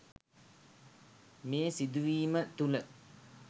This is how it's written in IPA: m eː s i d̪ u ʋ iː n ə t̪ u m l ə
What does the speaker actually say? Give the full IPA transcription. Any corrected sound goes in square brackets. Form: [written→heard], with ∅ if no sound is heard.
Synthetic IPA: m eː s i d̪ u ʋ iː [n→m] ə t̪ u [m→∅] l ə